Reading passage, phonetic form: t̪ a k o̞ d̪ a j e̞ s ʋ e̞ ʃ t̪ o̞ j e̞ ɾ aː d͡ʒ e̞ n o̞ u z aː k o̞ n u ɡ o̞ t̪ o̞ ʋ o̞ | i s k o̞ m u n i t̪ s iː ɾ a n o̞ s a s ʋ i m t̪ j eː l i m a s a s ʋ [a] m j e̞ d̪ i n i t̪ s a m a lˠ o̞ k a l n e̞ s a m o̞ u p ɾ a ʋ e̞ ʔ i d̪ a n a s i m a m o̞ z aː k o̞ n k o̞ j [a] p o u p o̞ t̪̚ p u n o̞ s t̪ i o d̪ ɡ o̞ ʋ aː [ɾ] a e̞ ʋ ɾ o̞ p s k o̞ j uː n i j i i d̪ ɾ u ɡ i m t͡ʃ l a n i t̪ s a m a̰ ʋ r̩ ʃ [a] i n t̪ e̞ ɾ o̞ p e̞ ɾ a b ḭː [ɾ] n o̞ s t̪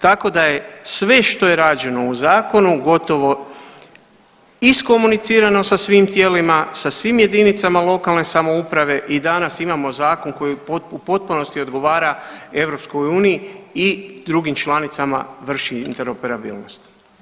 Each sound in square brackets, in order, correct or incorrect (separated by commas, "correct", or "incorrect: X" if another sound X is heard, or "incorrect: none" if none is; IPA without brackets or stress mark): incorrect: i, incorrect: i, correct, incorrect: i, incorrect: l